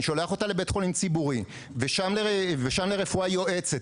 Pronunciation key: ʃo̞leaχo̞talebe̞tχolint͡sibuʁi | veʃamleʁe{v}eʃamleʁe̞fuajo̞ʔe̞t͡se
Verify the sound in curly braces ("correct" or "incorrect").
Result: correct